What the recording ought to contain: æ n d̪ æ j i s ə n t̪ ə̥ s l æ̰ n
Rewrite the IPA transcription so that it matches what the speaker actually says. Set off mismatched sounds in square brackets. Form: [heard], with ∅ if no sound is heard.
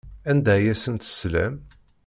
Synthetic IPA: æ n d̪ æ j [æ] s ə n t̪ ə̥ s l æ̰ [m]